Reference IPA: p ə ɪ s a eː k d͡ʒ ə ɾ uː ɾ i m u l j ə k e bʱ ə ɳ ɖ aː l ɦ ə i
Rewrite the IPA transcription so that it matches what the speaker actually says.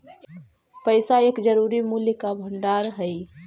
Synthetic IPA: p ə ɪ s a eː k d͡ʒ ə ɾ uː ɾ i m u l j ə k a bʱ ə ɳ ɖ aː ɾ ɦ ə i